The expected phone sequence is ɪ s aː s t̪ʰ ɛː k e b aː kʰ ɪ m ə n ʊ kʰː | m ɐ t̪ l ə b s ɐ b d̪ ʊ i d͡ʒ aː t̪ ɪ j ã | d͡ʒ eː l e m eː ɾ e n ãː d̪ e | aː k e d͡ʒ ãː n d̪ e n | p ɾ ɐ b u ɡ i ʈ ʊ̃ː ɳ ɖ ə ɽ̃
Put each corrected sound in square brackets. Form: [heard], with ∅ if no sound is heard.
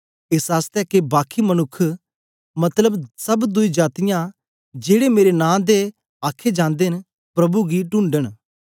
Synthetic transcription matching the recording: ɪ s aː s [t̪] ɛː k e b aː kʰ [i] m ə n ʊ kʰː | m ɐ t̪ l ə b s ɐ b d̪ ʊ i d͡ʒ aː t̪ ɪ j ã | d͡ʒ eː [ɽ] e m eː ɾ e n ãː d̪ e | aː [kʰ] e d͡ʒ ãː n d̪ e n | p ɾ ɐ b u ɡ i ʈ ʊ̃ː ɳ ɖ ə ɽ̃